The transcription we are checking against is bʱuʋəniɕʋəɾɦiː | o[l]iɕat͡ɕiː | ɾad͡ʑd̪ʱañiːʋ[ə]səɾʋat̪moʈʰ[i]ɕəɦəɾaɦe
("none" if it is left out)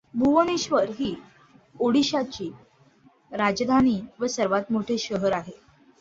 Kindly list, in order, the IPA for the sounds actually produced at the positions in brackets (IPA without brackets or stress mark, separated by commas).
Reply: ɽ, ə, e